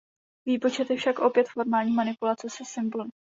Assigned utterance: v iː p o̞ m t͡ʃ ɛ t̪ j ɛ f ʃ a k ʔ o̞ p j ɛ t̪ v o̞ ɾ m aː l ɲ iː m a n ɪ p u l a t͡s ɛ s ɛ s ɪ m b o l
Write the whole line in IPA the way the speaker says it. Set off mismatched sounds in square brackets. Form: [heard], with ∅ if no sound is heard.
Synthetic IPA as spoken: v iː p o̞ [∅] t͡ʃ ɛ t̪ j ɛ f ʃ a k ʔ o̞ p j ɛ t̪ [f] o̞ ɾ m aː l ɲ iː m a n ɪ p u l a t͡s ɛ s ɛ s ɪ m b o l